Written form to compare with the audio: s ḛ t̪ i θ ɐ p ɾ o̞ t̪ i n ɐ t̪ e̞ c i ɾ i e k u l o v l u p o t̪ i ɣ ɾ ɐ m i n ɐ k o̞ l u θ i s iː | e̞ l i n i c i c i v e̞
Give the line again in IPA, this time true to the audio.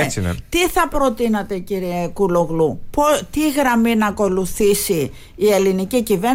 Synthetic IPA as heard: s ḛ t̪ i θ ɐ p ɾ o̞ t̪ i n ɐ t̪ e̞ c i ɾ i e k u l o ɣ l u p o t̪ i ɣ ɾ ɐ m i n ɐ k o̞ l u θ i s iː | e̞ l i n i c i c i v e̞